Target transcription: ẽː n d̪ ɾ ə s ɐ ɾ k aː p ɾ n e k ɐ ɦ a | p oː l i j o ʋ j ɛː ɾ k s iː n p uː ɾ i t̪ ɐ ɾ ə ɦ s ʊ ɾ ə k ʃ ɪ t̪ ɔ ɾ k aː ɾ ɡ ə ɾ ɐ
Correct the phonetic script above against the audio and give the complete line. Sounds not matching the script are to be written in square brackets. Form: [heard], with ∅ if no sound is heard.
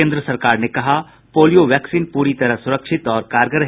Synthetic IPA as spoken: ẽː n d̪ ɾ ə s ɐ ɾ k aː [∅] ɾ n e k ɐ ɦ a | p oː l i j o ʋ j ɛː [∅] k s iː n p uː ɾ i t̪ ɐ ɾ ə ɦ s ʊ ɾ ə k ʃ ɪ t̪ [ɔː] ɾ k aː ɾ ɡ ə ɾ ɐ

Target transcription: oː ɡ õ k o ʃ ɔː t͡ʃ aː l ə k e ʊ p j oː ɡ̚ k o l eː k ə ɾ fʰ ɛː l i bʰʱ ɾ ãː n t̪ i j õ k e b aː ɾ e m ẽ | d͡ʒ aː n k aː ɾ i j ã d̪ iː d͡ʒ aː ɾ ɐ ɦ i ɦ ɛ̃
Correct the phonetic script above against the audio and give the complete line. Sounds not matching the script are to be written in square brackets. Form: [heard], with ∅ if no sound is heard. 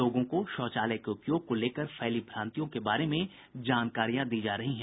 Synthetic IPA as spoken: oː ɡ õ k o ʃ ɔː t͡ʃ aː l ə k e ʊ p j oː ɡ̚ k o l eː k ə ɾ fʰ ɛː l i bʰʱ ɾ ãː n t̪ i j õ k e b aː ɾ e m ẽ | d͡ʒ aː n k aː ɾ i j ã d̪ iː d͡ʒ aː ɾ ɐ ɦ i ɦ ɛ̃

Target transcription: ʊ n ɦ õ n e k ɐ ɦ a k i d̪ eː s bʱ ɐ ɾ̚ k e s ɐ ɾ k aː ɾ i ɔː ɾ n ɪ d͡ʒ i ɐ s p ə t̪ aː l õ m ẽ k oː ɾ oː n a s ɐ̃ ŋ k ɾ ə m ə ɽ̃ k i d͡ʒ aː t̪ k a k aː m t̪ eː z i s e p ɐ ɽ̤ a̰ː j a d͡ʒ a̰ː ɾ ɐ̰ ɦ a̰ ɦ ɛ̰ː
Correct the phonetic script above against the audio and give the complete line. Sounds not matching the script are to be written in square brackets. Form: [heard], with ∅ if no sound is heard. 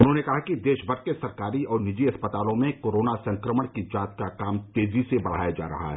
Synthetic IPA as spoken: ʊ n ɦ õ n e k ɐ ɦ a k i d̪ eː [ʃ] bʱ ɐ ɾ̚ k e s ɐ ɾ k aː ɾ i ɔː ɾ n ɪ d͡ʒ i ɐ s p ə t̪ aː l õ m ẽ k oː ɾ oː n a s ɐ̃ ŋ k ɾ ə m ə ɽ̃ k i d͡ʒ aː t̪ k a k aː m t̪ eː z i s e [b] ɐ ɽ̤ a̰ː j a d͡ʒ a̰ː ɾ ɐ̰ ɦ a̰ ɦ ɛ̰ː

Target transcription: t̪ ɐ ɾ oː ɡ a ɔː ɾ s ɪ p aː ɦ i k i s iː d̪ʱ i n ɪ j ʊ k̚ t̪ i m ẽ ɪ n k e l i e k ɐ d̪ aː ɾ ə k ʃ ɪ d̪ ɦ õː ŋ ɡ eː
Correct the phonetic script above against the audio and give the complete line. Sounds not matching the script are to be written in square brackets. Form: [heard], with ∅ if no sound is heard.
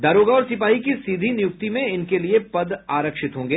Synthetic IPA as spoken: [d̪] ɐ ɾ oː ɡ a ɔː ɾ s ɪ p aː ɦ i k i s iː d̪ʱ i n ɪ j ʊ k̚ t̪ i m ẽ ɪ n k e l i e [p] ɐ d̪ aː ɾ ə k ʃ ɪ [t̪] ɦ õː ŋ ɡ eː

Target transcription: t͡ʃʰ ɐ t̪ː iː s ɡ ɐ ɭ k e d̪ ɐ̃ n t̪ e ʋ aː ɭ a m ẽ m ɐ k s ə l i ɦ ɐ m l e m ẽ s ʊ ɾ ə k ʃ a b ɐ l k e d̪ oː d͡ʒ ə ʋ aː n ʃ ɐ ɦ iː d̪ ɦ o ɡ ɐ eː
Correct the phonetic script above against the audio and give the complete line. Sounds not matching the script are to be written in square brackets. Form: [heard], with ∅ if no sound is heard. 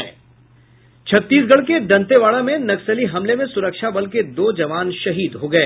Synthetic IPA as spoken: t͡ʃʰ ɐ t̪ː iː s ɡ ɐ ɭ k e d̪ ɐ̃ n t̪ e ʋ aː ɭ a m ẽ [n] ɐ k s ə l i ɦ ɐ m l e m ẽ s ʊ ɾ ə k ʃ a b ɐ l k e d̪ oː d͡ʒ [ɐ] ʋ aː n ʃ ɐ ɦ iː d̪ ɦ o ɡ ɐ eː

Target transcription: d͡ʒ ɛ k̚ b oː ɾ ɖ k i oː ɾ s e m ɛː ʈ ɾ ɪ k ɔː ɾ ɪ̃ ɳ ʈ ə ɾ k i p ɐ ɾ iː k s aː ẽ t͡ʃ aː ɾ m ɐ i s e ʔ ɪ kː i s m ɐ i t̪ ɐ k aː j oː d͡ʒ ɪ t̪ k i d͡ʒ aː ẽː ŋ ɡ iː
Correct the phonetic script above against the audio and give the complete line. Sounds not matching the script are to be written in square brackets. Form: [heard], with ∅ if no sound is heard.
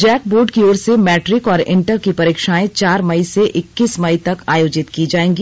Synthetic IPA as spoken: d͡ʒ [ɛː] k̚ b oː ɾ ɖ k i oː ɾ s e m ɛː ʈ ɾ ɪ k ɔː ɾ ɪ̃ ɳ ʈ ə ɾ k i p ɐ ɾ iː k [ʃ] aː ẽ t͡ʃ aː ɾ m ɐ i s e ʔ ɪ kː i s m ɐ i t̪ ɐ k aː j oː d͡ʒ ɪ t̪ k i d͡ʒ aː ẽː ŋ ɡ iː

